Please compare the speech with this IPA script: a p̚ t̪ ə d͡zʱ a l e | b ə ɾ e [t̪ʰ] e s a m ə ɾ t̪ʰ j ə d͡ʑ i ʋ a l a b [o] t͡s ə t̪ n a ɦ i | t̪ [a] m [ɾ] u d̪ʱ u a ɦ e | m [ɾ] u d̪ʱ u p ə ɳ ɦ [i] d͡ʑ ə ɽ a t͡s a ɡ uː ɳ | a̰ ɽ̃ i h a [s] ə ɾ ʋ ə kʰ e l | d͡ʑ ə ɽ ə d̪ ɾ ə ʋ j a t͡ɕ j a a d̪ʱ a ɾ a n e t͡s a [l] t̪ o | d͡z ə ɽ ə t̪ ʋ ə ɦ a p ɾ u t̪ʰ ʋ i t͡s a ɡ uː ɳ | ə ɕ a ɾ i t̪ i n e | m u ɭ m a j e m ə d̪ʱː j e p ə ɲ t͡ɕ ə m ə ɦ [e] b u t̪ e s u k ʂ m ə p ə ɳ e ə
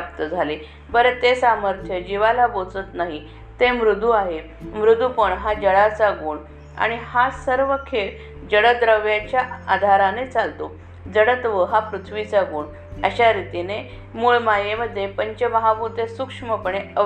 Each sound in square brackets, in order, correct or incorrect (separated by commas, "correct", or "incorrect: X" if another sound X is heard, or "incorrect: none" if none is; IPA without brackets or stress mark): incorrect: t̪, correct, incorrect: e, correct, correct, incorrect: a, correct, correct, incorrect: a